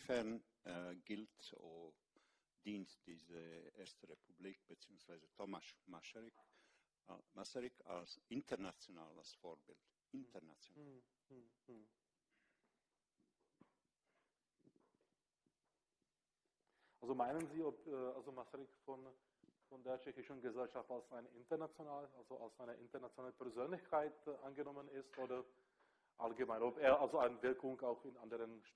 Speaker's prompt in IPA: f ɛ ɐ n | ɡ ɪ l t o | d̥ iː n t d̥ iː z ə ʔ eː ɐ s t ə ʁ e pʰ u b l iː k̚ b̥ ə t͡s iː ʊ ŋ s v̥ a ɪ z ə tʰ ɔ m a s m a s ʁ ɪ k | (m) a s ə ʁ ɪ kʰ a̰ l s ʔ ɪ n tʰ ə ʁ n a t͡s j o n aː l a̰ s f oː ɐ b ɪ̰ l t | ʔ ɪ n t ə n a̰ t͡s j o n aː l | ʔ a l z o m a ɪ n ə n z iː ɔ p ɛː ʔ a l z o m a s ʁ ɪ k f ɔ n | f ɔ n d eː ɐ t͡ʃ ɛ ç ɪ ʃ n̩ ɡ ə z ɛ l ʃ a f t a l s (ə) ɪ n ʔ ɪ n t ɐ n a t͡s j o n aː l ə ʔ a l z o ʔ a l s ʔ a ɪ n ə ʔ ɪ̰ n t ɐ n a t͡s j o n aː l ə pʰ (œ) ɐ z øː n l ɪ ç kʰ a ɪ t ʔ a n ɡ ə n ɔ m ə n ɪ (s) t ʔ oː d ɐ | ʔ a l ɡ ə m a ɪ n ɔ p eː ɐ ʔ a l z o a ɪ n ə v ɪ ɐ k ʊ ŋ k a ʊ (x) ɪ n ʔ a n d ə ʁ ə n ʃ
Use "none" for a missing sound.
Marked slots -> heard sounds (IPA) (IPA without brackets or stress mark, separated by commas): m, a, ɛ, s, x